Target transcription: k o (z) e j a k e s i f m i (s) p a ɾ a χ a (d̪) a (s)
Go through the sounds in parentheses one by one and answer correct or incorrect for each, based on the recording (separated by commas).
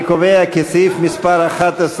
incorrect, correct, incorrect, correct